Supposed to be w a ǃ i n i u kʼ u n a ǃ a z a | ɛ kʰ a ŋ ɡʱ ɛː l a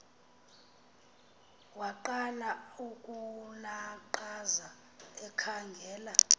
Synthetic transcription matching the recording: w a ǃ a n a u kʼ u n a ǃ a z a | ɛ kʰ a ŋ ɡʱ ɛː l a